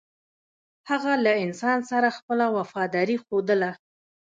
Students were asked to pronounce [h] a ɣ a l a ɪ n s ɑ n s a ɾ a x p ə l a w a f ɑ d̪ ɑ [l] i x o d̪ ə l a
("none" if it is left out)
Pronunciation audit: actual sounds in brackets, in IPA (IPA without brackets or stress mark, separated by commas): h, ɾ